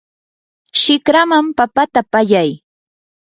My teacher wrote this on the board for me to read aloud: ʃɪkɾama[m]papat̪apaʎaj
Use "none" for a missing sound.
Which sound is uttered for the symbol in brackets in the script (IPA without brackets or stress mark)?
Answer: m